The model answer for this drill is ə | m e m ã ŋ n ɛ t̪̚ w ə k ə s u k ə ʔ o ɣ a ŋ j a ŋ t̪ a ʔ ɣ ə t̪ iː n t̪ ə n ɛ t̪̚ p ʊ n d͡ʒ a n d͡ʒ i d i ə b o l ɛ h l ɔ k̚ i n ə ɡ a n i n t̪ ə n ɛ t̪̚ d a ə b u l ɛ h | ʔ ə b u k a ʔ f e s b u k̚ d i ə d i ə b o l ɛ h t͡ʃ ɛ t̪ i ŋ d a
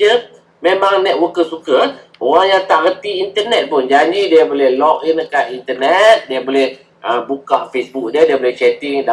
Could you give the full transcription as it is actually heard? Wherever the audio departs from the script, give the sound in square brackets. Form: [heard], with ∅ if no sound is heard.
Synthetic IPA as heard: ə | m e m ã ŋ n ɛ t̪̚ w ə k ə s u k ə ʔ o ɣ a ŋ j a ŋ t̪ a ʔ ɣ ə t̪ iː n t̪ ə n ɛ t̪̚ p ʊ n d͡ʒ a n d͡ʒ i d i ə b o l ɛ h l ɔ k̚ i n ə [k] a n i n t̪ ə n ɛ t̪̚ d [i] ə b [o] l ɛ h | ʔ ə b u k a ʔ f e s b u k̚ d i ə d i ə b o l ɛ h t͡ʃ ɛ t̪ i ŋ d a

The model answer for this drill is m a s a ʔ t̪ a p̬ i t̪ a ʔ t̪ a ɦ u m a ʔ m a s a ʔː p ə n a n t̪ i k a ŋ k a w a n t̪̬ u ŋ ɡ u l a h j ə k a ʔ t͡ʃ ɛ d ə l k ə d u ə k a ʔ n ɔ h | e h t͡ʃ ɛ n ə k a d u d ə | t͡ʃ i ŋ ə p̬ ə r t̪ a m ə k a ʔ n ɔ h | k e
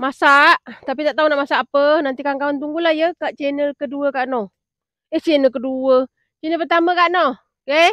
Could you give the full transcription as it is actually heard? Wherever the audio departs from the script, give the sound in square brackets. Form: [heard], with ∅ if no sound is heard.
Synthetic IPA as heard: m a s a ʔ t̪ a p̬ i t̪ a ʔ t̪ a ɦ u [n] a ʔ m a s a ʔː p ə n a n t̪ i k a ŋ k a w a n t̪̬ u ŋ ɡ u l a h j ə k a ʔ t͡ʃ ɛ [n] ə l k ə d u ə k a ʔ n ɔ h | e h t͡ʃ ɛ n ə k [ə] d u [∅] ə | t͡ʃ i [n] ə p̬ ə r t̪ a m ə k a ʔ n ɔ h | k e

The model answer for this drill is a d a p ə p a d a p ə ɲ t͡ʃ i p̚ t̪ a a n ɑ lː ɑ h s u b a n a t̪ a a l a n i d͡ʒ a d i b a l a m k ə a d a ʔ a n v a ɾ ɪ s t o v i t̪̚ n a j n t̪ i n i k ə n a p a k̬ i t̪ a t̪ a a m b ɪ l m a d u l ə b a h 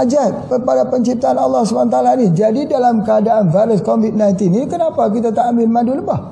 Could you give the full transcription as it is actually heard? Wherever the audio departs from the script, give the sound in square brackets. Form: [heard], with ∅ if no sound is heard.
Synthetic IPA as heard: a [d͡ʒ] a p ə p a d a p ə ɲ t͡ʃ i p̚ t̪ a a n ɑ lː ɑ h s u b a n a t̪ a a l a n i d͡ʒ a d i [d] a l a m k ə a d a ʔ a n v a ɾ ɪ s [k] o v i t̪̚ n a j n t̪ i n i k ə n a p a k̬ i t̪ a t̪ a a m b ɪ l m a d u l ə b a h

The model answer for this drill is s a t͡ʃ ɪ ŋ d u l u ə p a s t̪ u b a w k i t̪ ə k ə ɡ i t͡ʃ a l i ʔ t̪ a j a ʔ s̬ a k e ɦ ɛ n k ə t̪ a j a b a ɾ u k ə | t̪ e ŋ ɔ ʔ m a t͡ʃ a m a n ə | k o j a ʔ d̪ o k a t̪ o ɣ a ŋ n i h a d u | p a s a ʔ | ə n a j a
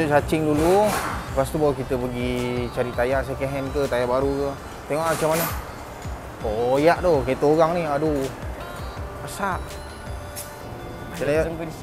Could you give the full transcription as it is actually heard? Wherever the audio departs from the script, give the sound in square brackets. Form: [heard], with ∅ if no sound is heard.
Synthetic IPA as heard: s a t͡ʃ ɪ ŋ d u l u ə p a s t̪ u b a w k i t̪ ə [p] ə ɡ i t͡ʃ a [ɾ] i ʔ t̪ a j a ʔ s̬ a k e ɦ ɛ n k ə t̪ a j a b a ɾ u k ə | t̪ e ŋ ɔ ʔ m a t͡ʃ a m a n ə | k o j a ʔ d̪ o k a t̪ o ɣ a ŋ n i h a d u | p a s a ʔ | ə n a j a

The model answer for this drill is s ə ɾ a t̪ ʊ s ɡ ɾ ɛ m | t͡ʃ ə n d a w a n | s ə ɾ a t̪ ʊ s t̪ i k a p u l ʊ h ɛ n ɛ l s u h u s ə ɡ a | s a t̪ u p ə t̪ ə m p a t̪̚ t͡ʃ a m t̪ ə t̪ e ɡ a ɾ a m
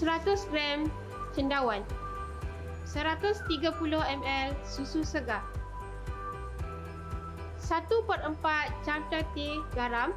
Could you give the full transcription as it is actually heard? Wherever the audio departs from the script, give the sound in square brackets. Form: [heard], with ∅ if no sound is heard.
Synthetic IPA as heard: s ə ɾ a t̪ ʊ s ɡ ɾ ɛ m | t͡ʃ ə n d a w a n | s ə ɾ a t̪ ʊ s t̪ i [ɡ] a p u l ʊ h ɛ [m] ɛ l s u [s] u s ə ɡ a | s a t̪ u p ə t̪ ə m p a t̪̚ t͡ʃ a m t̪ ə t̪ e ɡ a ɾ a m

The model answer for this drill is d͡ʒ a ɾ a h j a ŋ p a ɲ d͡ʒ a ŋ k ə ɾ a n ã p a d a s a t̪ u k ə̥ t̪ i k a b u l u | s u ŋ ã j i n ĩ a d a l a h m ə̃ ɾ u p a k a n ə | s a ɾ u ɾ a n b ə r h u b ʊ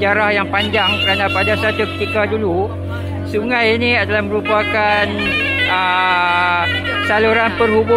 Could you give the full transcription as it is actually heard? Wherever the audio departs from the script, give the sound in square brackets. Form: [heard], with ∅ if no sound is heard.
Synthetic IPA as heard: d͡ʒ a ɾ a h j a ŋ p a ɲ d͡ʒ a ŋ k ə ɾ a n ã p a d a s a t̪ u k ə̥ t̪ i k a [d] u l u | s u ŋ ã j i n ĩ a d a l a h m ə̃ ɾ u p a k a n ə | s a [l] u ɾ a n [p] ə r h u b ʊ

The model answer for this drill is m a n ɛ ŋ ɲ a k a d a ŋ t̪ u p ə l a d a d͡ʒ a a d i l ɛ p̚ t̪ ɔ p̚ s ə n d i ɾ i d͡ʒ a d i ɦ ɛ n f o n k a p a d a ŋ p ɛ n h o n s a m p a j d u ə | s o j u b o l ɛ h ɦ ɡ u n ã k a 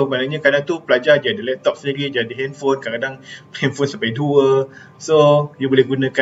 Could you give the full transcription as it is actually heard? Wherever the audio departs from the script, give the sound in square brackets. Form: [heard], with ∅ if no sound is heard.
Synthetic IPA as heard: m a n [a] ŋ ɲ a k a d a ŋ t̪ u p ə l a [d͡ʒ] a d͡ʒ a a d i l ɛ p̚ t̪ ɔ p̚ s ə n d i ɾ i d͡ʒ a d i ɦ ɛ n f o n k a [k] a d a ŋ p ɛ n [f] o n s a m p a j d u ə | s o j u b o l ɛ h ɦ ɡ u n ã k a

